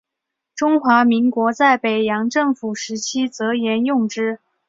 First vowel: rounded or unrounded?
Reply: rounded